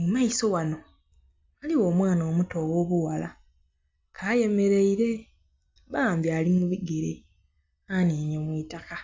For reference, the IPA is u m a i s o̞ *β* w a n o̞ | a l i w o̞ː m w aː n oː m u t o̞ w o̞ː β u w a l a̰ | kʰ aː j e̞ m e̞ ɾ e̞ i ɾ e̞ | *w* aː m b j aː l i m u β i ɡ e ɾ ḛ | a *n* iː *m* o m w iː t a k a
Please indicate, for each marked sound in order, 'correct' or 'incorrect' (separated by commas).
incorrect, incorrect, correct, incorrect